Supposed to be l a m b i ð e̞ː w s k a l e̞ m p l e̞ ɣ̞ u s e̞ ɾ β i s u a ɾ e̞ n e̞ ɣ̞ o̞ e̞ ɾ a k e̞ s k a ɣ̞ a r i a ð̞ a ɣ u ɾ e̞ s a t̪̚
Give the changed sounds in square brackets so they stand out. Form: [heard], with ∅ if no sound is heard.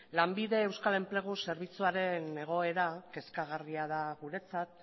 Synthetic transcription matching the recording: l a m b i ð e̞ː w s k a l e̞ m p l e̞ ɣ̞ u s e̞ ɾ β i [t͡s] u a ɾ e̞ n e̞ ɣ̞ o̞ e̞ ɾ a k e̞ s k a ɣ̞ a r i a ð̞ a ɣ u ɾ e̞ [t͡s] a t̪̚